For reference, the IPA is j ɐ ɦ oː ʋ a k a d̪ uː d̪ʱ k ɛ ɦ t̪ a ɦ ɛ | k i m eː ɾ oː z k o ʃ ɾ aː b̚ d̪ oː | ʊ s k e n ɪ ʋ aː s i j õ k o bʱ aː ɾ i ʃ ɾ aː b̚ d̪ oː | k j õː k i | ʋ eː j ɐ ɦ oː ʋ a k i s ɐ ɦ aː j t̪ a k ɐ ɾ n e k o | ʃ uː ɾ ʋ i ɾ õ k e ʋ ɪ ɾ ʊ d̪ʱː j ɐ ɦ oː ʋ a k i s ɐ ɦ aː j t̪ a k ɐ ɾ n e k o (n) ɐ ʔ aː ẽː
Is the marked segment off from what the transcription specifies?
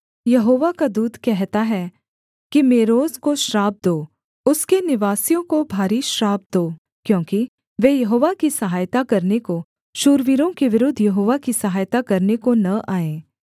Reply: no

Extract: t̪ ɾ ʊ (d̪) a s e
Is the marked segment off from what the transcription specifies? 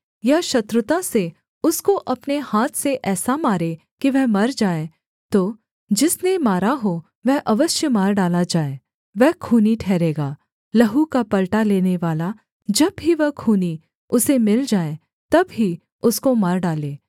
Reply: yes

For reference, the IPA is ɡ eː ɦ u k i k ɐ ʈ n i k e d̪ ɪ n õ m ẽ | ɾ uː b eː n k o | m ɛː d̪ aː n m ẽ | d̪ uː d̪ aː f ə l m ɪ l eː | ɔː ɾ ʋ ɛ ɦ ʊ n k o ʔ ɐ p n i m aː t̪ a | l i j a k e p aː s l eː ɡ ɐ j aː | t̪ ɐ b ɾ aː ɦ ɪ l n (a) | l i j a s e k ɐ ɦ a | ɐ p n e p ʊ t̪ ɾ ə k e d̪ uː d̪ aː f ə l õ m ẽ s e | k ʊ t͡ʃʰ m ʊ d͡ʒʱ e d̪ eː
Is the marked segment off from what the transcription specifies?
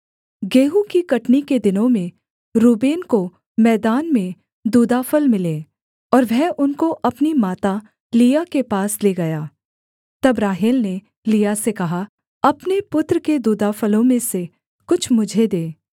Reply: yes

